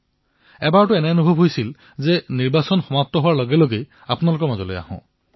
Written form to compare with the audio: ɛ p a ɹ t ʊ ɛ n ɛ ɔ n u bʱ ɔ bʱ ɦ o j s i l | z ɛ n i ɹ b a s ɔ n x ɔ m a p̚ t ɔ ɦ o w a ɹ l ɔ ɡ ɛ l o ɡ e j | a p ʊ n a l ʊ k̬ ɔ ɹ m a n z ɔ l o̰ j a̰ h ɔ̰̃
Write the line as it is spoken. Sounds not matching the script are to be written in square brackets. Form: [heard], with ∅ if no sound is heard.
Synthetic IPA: ɛ [b] a ɹ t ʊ ɛ n ɛ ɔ n u bʱ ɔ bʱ ɦ o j s i l | z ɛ n i ɹ b a s ɔ n x ɔ m a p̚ t ɔ ɦ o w a ɹ l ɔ ɡ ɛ l o ɡ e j | a p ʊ n a l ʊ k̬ ɔ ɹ m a [∅] z ɔ l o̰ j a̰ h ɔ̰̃